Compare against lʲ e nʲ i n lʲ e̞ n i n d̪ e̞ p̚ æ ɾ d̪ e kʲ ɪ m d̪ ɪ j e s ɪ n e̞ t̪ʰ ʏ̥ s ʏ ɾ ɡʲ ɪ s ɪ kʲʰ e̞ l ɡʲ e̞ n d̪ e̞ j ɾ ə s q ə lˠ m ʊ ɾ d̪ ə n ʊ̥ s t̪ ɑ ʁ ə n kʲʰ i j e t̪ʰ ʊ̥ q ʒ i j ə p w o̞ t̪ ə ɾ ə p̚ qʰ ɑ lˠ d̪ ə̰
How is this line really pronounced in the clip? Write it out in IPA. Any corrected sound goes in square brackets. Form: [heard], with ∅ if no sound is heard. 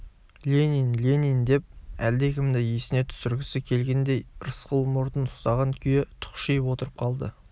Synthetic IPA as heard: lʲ e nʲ i n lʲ e̞ n i n d̪ e̞ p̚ æ [l] d̪ e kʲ ɪ m d̪ ɪ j e s ɪ n e̞ t̪ʰ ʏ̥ s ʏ ɾ ɡʲ ɪ s ɪ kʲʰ e̞ l ɡʲ e̞ n d̪ e̞ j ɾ ə s q ə lˠ m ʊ ɾ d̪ ə n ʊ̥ s t̪ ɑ ʁ [ɑ] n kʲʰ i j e t̪ʰ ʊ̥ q [ʃ] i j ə p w o̞ t̪ ə ɾ ə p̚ qʰ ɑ lˠ d̪ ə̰

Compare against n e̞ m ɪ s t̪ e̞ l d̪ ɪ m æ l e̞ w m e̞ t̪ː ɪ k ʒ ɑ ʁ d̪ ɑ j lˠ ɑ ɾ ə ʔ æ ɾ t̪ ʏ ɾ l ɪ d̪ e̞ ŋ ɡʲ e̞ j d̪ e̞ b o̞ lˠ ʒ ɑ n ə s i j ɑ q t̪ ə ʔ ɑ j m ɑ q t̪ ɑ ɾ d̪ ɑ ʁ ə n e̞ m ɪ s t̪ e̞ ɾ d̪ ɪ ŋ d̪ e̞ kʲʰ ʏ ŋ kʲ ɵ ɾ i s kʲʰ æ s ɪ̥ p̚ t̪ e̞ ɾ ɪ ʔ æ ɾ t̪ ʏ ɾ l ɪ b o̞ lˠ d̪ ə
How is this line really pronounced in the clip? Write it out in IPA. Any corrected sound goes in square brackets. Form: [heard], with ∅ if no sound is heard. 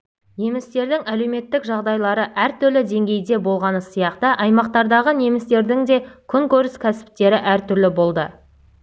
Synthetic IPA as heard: n e̞ m ɪ s t̪ e̞ [ɾ] d̪ ɪ [ŋ] æ l e̞ w m e̞ t̪ː ɪ k ʒ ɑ ʁ d̪ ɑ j lˠ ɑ ɾ ə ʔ æ ɾ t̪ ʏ ɾ l ɪ d̪ e̞ ŋ ɡʲ e̞ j d̪ e̞ b o̞ lˠ [ʁ] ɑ n ə s i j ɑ q t̪ ə ʔ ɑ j m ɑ q t̪ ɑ ɾ d̪ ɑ ʁ ə n e̞ m ɪ s t̪ e̞ ɾ d̪ ɪ ŋ d̪ e̞ kʲʰ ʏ ŋ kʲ ɵ ɾ [ɪ] s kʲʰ æ s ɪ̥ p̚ t̪ e̞ ɾ ɪ ʔ æ ɾ t̪ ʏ ɾ l ɪ b o̞ lˠ d̪ ə

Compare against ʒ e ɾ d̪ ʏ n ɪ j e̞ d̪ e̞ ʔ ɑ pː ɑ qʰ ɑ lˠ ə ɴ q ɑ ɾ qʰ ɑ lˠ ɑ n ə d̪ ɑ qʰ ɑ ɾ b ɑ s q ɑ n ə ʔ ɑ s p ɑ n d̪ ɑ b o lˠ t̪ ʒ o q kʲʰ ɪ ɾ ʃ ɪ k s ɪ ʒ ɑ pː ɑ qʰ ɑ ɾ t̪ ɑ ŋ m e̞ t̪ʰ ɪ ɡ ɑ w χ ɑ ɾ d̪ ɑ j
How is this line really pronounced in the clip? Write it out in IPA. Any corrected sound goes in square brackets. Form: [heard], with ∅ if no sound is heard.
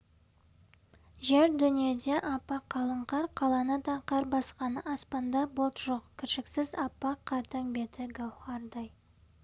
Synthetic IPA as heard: ʒ e ɾ d̪ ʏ n [i] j e̞ d̪ e̞ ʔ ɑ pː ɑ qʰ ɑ lˠ ə ɴ q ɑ ɾ qʰ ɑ lˠ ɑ n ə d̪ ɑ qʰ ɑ ɾ b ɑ s q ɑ n ə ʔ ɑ s p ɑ n d̪ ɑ b o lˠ t̪ ʒ o q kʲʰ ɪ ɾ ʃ ɪ k s ɪ [z] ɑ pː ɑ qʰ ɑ ɾ t̪ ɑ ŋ [b] e̞ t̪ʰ ɪ ɡ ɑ w χ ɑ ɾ d̪ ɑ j

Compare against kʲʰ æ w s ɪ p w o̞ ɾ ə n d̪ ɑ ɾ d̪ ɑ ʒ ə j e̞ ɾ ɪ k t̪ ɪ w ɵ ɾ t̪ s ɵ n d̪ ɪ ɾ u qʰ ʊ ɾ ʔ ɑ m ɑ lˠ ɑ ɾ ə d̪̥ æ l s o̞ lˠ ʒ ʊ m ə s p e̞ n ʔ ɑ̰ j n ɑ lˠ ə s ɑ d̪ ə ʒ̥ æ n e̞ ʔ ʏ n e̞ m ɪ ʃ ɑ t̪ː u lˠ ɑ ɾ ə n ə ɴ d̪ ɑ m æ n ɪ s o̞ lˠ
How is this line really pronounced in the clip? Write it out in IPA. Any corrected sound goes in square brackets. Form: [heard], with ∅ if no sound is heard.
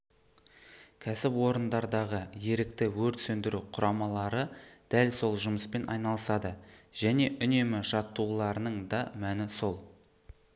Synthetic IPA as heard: kʲʰ æ [∅] s ɪ p w o̞ ɾ ə n d̪ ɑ ɾ d̪ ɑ [ʁ] ə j e̞ ɾ ɪ k t̪ ɪ w ɵ ɾ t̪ s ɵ n d̪ ɪ ɾ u qʰ ʊ ɾ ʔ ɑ m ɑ lˠ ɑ ɾ ə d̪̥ æ l s o̞ lˠ ʒ ʊ m ə s p e̞ n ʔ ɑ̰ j n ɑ lˠ ə s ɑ d̪ ə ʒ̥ æ n e̞ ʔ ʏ n e̞ m ɪ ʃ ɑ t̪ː u lˠ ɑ ɾ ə n ə ɴ d̪ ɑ m æ n ɪ s o̞ lˠ

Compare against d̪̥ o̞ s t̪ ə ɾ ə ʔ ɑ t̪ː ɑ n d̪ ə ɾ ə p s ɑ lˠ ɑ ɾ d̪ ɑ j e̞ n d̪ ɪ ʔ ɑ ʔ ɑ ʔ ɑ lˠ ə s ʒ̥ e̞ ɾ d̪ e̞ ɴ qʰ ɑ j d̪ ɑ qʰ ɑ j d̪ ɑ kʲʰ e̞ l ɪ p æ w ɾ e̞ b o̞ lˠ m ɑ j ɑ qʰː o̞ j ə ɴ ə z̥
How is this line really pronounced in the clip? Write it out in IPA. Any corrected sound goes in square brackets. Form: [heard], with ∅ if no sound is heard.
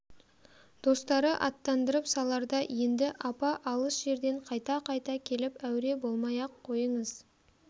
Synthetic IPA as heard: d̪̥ o̞ s t̪ [ɑ] ɾ ə ʔ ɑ t̪ː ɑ n d̪ ə ɾ ə p s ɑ lˠ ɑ ɾ d̪ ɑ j e̞ n d̪ ɪ ʔ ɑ [p] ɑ ʔ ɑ lˠ ə s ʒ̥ e̞ ɾ d̪ e̞ ɴ qʰ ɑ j [t̪] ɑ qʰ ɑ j [t̪] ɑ kʲʰ e̞ l ɪ p æ w ɾ e̞ b o̞ lˠ m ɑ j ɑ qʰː o̞ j ə ɴ ə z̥

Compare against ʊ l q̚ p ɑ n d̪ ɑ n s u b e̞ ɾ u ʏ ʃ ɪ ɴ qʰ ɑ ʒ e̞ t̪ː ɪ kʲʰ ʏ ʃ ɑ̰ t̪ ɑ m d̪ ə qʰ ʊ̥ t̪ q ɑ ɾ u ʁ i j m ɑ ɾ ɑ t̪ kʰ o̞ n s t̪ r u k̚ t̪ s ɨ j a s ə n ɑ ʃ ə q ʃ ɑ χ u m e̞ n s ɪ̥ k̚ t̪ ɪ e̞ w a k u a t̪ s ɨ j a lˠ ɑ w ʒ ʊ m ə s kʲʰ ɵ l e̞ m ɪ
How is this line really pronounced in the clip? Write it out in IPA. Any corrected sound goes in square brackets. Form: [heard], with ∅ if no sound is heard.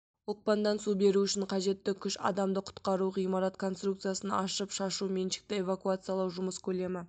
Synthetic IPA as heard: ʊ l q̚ p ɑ n d̪ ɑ n s u b e̞ ɾ u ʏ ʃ ɪ ɴ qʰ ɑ ʒ e̞ t̪ː ɪ kʲʰ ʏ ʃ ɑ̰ [d̪] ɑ m d̪ ə qʰ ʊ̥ t̪ q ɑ ɾ u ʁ i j m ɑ ɾ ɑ t̪ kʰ o̞ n s t̪ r u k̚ t̪ s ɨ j a s ə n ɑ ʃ ə [p] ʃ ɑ [ʃ] u m e̞ n [ʃ] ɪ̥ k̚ t̪ ɪ e̞ [v] a k u a t̪ s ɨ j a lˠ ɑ w ʒ ʊ m ə s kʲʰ ɵ l e̞ m ɪ

